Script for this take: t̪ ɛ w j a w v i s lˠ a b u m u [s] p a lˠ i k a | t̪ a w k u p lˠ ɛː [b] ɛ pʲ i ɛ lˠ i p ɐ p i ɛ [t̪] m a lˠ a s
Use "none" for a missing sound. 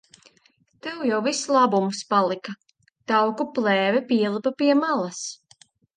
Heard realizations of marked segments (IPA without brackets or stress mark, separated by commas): s, v, none